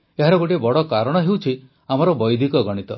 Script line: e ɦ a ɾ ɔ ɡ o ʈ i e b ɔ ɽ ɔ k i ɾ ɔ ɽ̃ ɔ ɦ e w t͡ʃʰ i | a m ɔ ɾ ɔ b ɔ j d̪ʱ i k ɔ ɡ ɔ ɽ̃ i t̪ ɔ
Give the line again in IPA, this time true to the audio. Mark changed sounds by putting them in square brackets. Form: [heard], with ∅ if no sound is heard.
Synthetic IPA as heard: e ɦ a ɾ ɔ ɡ o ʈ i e b ɔ ɽ ɔ k [a] ɾ ɔ ɽ̃ ɔ ɦ e w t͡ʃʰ i | a m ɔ ɾ ɔ b ɔ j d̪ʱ i k ɔ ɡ ɔ ɽ̃ i t̪ ɔ